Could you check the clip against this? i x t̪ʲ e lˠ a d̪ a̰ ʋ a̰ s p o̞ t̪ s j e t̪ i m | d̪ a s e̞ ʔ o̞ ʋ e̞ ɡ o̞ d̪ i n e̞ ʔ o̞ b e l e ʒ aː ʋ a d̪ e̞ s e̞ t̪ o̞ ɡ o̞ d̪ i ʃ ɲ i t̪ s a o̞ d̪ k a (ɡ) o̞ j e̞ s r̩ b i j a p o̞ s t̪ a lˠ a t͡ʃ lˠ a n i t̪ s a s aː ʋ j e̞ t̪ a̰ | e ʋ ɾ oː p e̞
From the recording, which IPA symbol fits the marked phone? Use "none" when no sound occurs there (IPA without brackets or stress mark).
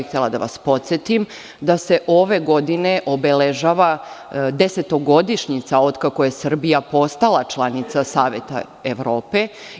k